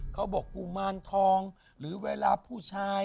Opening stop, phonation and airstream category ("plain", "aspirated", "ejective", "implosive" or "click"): aspirated